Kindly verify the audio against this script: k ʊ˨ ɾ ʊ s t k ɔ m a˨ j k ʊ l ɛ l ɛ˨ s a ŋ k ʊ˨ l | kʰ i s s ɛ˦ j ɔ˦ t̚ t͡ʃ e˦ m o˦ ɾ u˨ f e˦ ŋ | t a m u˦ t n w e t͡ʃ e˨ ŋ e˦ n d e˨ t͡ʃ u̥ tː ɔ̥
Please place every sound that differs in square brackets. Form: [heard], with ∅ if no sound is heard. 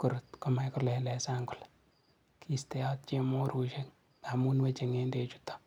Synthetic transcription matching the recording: k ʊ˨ ɾ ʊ [∅] t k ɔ m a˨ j k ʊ l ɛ l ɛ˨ s a ŋ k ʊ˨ l | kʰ i s [t] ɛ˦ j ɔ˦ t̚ t͡ʃ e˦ m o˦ ɾ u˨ [ʃ] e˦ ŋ | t a m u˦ [∅] n w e t͡ʃ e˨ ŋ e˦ n d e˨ t͡ʃ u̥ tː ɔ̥